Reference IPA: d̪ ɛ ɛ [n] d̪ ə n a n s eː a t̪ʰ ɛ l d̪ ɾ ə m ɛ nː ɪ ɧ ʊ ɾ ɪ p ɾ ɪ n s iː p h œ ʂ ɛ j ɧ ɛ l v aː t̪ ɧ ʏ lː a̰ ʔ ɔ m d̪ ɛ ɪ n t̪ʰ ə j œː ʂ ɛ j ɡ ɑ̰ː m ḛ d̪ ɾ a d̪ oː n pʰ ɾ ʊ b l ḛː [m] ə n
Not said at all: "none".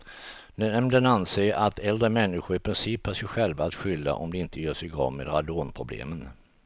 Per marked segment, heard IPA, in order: m, m

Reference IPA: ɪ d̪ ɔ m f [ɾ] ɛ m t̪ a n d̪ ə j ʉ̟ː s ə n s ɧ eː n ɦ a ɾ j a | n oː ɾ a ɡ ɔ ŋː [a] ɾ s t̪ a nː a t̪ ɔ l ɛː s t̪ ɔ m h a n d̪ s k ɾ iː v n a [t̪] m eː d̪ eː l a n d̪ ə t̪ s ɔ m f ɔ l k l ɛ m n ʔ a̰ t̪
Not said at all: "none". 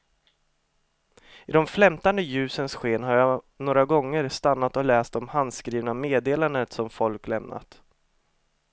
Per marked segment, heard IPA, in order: l, ə, none

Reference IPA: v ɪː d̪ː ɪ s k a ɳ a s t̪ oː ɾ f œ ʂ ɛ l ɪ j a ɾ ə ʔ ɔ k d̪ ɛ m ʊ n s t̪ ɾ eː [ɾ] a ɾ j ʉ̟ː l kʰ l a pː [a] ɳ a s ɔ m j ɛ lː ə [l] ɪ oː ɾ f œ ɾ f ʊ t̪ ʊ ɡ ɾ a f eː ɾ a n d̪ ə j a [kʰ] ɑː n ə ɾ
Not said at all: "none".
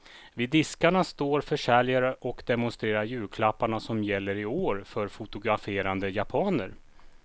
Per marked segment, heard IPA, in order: ɾ, a, ɾ, pʰ

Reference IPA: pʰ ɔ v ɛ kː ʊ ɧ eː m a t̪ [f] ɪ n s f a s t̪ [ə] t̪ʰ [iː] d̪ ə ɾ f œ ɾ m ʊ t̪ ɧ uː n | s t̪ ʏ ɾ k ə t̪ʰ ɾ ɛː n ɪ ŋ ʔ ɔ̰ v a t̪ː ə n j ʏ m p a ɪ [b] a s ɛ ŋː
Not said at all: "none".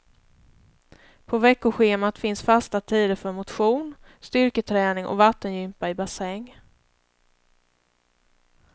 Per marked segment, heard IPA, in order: f, a, iː, b

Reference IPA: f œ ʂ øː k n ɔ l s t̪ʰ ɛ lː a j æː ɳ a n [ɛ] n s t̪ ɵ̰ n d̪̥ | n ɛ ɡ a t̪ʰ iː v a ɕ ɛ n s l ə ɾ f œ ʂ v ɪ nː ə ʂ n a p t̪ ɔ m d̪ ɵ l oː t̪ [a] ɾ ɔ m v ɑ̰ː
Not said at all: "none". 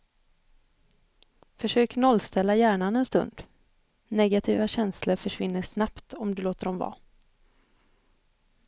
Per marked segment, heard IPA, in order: ɛ, ə

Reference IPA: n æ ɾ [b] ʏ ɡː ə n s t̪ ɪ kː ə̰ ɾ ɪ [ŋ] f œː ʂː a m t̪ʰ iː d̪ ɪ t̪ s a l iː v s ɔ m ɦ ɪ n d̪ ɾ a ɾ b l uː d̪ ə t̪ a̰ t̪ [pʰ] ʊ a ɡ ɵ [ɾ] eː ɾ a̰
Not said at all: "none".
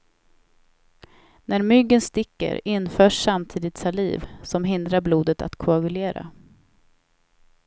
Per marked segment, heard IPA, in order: m, n, kʰ, l

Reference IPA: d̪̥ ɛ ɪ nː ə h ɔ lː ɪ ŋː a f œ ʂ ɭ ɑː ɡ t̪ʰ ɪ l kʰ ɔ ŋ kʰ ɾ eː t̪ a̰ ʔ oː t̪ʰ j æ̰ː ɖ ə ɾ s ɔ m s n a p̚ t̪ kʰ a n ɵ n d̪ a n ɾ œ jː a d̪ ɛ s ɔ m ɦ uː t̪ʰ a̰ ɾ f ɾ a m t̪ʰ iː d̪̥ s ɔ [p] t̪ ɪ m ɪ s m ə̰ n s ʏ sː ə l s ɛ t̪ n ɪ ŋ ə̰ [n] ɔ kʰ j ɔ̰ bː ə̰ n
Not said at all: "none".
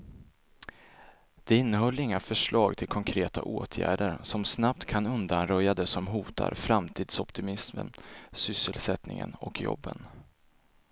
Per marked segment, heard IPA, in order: p, n

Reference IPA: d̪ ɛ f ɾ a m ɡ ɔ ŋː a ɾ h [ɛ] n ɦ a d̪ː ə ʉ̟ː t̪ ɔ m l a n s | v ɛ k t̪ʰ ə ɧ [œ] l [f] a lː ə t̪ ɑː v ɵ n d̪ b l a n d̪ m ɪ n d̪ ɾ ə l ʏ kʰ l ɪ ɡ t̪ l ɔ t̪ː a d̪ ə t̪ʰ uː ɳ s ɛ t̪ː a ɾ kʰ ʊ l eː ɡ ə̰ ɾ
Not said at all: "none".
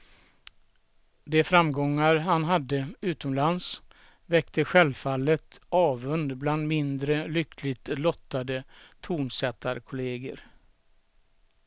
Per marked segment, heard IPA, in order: a, ɛ, f

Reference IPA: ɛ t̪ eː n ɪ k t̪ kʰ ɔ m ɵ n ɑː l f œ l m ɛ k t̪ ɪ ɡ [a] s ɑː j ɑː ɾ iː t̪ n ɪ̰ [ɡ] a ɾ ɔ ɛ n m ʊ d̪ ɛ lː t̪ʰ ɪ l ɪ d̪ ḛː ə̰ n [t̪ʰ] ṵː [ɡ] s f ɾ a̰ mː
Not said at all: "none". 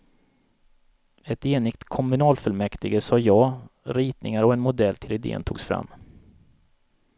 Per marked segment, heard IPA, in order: ə, ŋ, t̪ʰ, ɡ

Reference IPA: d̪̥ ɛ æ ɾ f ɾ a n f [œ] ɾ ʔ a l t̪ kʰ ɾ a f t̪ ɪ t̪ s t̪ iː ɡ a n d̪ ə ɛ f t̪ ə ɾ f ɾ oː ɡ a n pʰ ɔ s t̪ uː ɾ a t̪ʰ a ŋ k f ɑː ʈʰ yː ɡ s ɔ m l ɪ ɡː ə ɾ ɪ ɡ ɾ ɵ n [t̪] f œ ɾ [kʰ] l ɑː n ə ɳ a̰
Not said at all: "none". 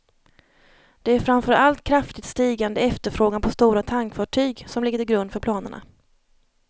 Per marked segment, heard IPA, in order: œ, d̪, pʰ

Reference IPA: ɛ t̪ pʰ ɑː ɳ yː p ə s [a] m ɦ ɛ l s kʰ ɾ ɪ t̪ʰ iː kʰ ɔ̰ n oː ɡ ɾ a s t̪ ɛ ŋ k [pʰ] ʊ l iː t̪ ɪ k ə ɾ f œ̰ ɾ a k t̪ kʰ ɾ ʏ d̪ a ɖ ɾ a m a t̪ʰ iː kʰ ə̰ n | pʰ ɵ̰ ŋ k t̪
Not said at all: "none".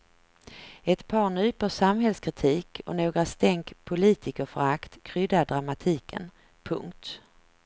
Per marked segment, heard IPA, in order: a, pʰ

